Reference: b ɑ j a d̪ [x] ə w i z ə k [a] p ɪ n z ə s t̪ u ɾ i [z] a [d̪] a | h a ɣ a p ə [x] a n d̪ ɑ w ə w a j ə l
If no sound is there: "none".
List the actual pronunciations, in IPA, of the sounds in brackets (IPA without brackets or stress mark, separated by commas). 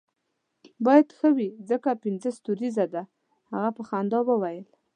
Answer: x, a, z, d̪, x